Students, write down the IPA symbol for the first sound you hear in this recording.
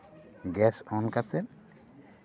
ɡ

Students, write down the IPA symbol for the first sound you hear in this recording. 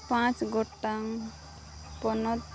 p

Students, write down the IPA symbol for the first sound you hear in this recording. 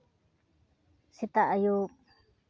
s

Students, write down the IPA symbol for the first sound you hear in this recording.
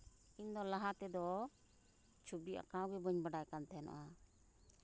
i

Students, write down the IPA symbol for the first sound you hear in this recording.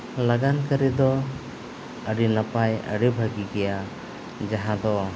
l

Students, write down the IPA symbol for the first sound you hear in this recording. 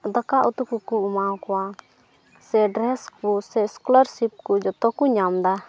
d̪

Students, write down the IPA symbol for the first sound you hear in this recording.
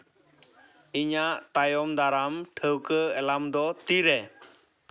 i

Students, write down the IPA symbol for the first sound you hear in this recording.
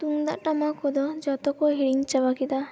t̪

